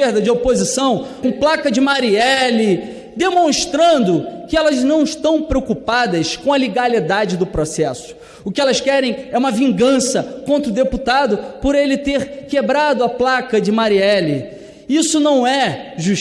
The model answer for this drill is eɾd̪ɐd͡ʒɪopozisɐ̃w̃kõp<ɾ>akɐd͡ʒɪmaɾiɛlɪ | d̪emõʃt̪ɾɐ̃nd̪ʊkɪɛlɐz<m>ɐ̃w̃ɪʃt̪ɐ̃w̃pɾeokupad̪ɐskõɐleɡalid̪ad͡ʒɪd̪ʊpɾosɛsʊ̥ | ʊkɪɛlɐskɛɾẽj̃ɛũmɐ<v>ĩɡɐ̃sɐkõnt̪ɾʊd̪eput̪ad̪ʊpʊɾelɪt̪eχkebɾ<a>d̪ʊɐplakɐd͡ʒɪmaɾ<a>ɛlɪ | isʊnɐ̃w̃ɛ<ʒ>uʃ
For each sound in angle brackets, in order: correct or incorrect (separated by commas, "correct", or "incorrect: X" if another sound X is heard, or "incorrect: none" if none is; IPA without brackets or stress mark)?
incorrect: l, incorrect: n, correct, correct, incorrect: i, correct